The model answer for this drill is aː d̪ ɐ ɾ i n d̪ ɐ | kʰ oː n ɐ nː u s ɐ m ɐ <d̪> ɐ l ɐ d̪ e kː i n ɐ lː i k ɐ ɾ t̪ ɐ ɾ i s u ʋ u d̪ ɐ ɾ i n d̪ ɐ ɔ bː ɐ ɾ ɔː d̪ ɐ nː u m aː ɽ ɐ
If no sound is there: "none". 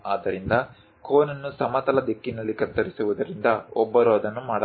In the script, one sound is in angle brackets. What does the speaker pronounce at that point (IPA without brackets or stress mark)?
t̪